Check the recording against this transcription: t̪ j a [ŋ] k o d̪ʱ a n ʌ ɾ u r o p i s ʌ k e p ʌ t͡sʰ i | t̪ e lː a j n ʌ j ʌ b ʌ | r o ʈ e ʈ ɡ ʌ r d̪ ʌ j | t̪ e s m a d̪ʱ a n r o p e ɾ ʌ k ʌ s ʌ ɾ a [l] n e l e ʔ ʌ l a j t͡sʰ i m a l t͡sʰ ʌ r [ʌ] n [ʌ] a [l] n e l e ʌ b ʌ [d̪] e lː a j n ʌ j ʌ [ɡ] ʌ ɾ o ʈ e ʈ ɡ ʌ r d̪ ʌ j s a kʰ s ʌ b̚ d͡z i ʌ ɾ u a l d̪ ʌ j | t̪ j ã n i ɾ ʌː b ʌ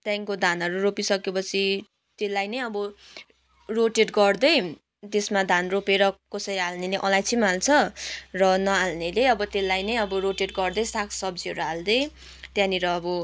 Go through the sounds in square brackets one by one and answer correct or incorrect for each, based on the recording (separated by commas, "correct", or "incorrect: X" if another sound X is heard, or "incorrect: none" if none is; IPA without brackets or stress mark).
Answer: correct, correct, correct, correct, correct, incorrect: t̪, incorrect: b